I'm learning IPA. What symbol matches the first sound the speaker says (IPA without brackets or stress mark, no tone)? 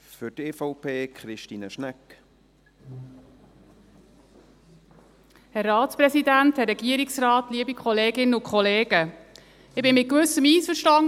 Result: f